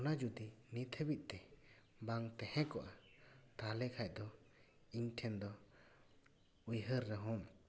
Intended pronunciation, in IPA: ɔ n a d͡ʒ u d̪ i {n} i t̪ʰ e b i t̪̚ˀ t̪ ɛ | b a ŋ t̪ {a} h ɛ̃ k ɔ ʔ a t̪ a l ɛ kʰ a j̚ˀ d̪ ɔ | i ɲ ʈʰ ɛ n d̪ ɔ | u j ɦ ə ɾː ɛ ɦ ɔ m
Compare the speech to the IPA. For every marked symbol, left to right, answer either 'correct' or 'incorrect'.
correct, incorrect

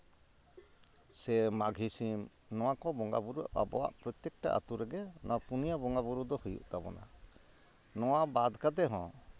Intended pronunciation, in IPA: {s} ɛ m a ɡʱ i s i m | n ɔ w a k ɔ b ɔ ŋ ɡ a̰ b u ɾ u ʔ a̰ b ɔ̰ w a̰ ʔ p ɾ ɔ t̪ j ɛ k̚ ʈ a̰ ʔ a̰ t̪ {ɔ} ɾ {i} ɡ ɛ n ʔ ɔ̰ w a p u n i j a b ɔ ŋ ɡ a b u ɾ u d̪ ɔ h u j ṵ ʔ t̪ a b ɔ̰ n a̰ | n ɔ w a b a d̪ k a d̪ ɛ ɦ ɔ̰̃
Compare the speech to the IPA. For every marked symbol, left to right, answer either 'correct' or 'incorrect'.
correct, incorrect, incorrect

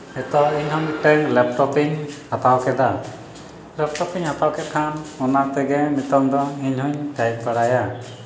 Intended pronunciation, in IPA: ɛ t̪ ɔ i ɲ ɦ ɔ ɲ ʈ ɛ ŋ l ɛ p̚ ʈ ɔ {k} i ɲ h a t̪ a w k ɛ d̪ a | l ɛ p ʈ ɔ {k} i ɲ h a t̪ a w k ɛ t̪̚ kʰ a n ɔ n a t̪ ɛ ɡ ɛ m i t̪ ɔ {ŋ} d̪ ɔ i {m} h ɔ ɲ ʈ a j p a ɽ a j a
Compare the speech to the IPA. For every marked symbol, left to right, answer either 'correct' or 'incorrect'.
incorrect, incorrect, correct, incorrect

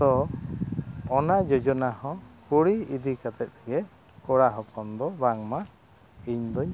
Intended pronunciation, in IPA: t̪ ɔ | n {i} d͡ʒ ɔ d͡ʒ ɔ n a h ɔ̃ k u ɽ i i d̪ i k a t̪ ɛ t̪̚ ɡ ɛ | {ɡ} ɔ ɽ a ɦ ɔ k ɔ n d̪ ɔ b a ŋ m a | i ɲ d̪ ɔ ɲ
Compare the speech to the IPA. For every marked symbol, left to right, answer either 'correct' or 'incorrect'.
incorrect, incorrect

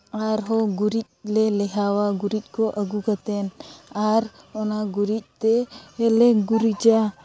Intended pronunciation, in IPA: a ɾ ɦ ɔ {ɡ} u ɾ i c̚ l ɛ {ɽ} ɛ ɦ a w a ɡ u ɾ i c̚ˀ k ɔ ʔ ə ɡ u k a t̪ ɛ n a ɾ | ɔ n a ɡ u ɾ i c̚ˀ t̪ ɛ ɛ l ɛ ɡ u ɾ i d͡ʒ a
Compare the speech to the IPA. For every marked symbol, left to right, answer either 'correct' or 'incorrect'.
correct, incorrect

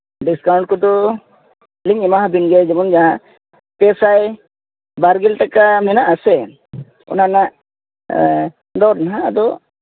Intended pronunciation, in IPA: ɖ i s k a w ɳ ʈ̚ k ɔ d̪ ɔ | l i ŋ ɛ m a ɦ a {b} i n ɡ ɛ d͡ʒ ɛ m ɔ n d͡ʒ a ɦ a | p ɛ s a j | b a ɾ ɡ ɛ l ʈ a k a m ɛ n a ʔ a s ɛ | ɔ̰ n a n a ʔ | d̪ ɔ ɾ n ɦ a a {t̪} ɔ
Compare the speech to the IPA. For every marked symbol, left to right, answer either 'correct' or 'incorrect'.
correct, incorrect

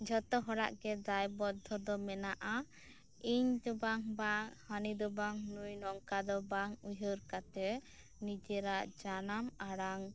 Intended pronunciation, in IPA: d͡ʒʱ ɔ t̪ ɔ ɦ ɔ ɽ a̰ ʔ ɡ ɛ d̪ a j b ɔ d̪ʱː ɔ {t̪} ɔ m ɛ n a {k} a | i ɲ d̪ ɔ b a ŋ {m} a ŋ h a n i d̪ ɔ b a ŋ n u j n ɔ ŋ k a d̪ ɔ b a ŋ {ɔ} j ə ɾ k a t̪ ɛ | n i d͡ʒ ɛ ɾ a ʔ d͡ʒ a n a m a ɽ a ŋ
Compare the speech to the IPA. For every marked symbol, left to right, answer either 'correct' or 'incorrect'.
incorrect, incorrect, incorrect, incorrect

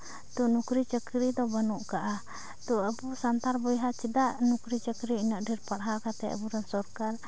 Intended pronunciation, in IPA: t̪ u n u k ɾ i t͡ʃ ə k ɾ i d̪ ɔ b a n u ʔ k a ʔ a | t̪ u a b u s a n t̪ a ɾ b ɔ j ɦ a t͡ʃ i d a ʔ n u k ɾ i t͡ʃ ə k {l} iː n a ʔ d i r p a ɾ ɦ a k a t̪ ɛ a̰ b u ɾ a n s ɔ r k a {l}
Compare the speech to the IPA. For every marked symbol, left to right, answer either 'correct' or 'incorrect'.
incorrect, correct

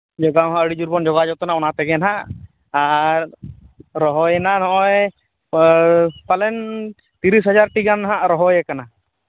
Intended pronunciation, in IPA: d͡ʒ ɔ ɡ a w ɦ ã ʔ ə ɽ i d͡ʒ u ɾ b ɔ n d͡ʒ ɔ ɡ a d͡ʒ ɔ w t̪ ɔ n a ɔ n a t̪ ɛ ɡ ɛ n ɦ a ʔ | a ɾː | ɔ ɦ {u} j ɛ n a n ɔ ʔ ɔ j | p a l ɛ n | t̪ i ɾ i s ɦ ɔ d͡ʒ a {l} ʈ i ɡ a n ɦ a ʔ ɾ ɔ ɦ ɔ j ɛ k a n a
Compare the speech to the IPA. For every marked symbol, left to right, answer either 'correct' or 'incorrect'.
incorrect, incorrect

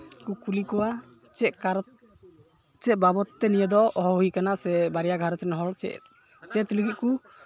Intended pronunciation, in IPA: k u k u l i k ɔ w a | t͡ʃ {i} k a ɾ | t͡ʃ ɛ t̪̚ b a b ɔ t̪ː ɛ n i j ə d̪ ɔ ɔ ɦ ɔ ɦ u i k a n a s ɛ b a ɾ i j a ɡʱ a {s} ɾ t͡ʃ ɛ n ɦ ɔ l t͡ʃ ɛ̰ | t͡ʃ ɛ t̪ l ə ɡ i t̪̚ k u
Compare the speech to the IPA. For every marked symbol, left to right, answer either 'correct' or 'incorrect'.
incorrect, incorrect

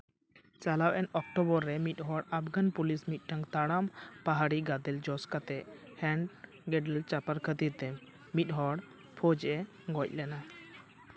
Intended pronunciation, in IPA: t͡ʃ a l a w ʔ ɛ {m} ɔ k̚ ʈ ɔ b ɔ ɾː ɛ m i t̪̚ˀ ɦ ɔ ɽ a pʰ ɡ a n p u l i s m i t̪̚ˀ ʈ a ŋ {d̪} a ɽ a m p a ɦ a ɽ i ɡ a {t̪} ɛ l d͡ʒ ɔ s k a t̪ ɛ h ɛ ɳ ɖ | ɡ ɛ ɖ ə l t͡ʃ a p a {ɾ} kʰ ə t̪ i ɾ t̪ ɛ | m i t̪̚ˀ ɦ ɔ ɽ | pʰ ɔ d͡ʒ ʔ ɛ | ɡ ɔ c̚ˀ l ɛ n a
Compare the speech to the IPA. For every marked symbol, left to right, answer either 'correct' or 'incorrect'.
incorrect, incorrect, incorrect, correct

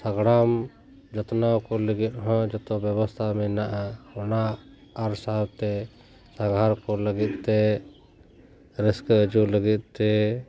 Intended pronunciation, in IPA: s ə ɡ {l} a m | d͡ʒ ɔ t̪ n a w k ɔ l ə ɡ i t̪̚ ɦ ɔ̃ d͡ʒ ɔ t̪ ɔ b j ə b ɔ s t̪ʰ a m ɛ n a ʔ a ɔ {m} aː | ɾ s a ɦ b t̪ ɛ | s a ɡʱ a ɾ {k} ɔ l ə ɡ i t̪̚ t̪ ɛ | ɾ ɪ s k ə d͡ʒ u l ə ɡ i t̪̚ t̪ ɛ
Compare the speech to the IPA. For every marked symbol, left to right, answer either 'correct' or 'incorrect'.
incorrect, incorrect, correct

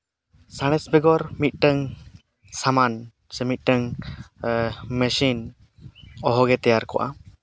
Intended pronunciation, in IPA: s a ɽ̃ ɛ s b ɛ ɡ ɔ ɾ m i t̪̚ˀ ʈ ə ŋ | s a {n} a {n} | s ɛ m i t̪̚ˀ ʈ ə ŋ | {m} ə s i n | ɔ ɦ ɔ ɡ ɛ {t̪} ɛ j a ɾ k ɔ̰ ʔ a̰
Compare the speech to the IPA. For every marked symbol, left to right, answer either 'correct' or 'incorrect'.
incorrect, correct, correct, correct

